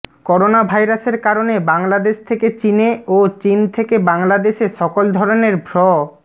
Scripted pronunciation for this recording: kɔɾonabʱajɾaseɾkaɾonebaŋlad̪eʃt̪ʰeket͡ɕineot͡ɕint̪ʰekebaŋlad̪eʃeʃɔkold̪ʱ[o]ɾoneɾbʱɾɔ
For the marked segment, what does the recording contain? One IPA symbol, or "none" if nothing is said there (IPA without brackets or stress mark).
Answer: ɔ